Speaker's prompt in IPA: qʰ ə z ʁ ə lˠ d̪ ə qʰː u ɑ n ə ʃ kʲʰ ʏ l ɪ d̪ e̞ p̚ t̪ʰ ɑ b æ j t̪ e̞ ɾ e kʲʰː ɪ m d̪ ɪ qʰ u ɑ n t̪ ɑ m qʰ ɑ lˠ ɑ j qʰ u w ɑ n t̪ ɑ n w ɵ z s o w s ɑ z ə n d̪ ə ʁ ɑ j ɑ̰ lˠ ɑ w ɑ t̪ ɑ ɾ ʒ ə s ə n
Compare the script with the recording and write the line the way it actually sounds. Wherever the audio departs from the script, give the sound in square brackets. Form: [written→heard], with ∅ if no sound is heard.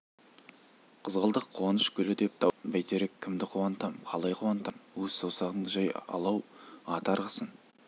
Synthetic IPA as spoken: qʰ ə z ʁ ə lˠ d̪ ə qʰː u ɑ n ə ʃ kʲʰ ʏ l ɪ d̪ e̞ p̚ t̪ʰ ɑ b æ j t̪ e̞ ɾ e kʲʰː ɪ m d̪ ɪ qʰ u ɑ n t̪ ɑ m qʰ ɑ lˠ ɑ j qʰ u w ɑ n t̪ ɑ [n→m] w ɵ z s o w s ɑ [z→ʁ] ə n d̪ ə [ʁ→ʒ] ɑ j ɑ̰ lˠ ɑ w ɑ t̪ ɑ ɾ [ʒ→ʁ] ə s ə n